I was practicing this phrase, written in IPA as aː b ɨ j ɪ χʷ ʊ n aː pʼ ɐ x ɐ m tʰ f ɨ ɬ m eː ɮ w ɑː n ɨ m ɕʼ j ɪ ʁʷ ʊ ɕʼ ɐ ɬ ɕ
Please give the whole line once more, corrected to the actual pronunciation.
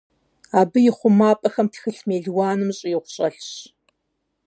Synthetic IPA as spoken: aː b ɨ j ɪ χʷ ʊ m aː pʼ ɐ x ɐ m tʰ x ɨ ɬ m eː ɮ w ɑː n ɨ m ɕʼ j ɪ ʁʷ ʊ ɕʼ ɐ ɬ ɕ